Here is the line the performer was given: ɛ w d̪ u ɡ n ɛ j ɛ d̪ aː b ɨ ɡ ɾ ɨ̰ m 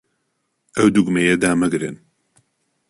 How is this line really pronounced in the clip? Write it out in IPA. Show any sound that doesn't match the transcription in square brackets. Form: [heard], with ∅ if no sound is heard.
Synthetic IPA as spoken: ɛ w d̪ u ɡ [m] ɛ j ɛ d̪ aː [m] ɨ ɡ ɾ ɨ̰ [n]